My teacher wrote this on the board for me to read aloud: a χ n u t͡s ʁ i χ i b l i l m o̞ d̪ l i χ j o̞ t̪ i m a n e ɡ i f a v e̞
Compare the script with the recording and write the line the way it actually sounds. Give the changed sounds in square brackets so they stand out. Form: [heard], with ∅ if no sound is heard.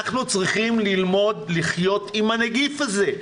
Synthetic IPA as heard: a χ n u t͡s ʁ i χ i [m] l i l m o̞ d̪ l i χ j o̞ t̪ i m a n e ɡ i f a [z] e̞